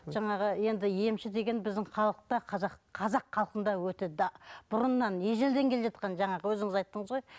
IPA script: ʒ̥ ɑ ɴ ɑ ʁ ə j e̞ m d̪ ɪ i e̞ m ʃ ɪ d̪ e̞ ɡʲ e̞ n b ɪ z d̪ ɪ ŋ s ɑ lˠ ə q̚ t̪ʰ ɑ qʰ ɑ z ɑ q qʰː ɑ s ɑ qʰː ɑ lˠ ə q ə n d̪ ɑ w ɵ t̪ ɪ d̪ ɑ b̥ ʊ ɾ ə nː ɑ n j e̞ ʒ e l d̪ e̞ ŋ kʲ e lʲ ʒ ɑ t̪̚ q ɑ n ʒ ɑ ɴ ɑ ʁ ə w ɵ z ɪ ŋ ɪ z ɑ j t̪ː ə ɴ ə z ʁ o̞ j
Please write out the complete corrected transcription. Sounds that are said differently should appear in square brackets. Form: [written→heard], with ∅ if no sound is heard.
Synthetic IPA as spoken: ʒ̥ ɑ ɴ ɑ ʁ ə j e̞ [m→n] d̪ ɪ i e̞ m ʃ ɪ d̪ e̞ ɡʲ e̞ n b ɪ z d̪ ɪ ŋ [s→χ] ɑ lˠ ə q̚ [t̪ʰ→t̪] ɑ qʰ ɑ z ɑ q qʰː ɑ [s→z] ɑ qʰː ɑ lˠ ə q ə n d̪ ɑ w ɵ t̪ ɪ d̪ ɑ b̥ ʊ ɾ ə nː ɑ n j e̞ ʒ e l d̪ e̞ ŋ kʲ e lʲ ʒ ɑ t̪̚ q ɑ n ʒ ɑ ɴ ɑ ʁ ə w ɵ z ɪ ŋ ɪ z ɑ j t̪ː ə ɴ ə z ʁ o̞ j